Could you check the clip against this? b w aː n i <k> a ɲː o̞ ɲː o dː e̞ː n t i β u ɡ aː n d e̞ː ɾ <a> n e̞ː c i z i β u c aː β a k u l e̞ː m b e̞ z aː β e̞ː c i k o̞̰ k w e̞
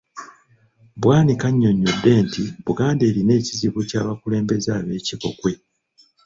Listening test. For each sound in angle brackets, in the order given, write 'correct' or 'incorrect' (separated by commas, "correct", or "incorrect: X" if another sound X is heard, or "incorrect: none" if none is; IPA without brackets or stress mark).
correct, incorrect: i